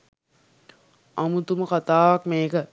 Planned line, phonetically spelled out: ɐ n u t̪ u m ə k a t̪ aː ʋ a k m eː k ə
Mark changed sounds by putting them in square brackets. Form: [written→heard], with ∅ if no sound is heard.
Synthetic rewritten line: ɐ [n→m] u t̪ u m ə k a t̪ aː ʋ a k m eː k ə